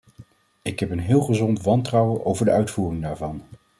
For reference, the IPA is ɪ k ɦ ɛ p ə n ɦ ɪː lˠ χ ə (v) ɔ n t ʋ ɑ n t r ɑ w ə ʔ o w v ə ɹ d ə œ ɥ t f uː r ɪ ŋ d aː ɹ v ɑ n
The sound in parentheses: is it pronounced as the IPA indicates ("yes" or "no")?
no